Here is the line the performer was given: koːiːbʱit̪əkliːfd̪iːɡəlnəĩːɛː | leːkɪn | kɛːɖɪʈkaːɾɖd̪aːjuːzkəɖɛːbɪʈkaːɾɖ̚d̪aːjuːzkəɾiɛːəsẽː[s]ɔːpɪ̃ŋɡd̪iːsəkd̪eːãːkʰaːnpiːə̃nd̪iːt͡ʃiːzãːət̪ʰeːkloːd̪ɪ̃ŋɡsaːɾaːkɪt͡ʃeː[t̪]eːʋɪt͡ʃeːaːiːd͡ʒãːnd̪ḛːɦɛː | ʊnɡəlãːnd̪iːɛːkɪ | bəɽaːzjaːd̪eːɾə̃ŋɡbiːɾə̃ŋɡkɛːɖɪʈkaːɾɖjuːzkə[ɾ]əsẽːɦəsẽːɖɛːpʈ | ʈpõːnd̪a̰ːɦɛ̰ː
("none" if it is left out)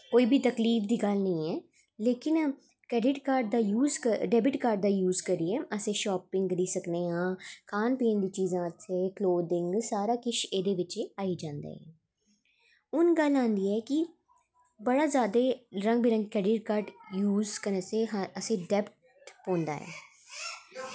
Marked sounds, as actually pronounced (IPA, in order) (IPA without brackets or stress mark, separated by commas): ʃ, d̪, ɾ